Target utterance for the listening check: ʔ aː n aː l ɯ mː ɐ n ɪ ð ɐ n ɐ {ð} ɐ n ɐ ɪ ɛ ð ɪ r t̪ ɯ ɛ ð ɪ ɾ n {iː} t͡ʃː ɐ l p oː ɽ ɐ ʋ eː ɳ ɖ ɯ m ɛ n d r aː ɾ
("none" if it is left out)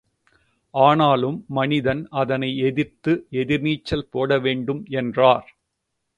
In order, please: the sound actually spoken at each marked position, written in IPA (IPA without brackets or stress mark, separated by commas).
ð, iː